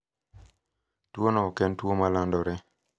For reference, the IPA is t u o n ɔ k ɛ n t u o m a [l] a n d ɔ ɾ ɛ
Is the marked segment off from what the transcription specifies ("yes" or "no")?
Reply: no